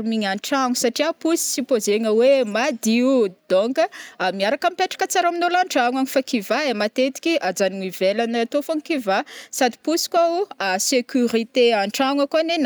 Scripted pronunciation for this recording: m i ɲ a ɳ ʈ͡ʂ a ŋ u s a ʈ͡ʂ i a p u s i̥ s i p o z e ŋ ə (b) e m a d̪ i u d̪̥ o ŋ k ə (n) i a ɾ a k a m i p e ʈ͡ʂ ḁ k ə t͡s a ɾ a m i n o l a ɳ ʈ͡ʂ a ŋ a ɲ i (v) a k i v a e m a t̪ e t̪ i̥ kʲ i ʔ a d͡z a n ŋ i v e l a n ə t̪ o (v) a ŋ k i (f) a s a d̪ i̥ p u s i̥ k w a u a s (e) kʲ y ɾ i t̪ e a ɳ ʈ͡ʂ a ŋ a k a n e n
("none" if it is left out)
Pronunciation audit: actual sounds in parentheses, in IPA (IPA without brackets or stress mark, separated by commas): w, m, f, f, v, e